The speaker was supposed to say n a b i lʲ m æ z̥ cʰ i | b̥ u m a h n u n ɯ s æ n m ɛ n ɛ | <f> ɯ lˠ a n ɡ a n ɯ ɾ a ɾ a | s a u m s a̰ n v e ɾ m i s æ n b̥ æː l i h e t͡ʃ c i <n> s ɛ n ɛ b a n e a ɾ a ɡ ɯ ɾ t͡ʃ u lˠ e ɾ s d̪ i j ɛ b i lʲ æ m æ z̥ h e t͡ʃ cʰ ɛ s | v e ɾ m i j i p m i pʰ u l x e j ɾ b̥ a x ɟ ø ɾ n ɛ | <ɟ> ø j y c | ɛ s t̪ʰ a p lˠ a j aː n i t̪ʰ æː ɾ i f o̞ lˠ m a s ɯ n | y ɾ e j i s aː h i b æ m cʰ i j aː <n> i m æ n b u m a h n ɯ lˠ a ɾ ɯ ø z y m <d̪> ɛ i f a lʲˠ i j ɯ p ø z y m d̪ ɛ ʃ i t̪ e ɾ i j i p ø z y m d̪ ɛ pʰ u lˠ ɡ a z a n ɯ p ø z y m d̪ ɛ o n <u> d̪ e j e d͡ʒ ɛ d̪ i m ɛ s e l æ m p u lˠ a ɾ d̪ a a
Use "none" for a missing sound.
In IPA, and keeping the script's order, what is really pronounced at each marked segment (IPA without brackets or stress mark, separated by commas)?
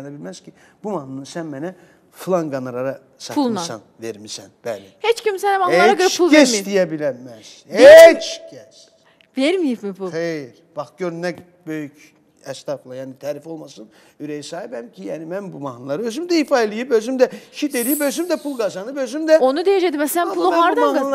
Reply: f, m, b, n, d̪, u